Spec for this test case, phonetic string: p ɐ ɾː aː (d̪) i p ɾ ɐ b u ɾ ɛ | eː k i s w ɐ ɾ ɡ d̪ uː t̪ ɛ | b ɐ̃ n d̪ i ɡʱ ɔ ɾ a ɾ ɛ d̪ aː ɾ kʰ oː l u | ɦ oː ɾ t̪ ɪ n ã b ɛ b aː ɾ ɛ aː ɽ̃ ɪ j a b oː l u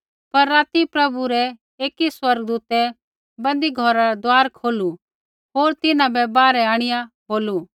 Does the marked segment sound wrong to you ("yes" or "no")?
yes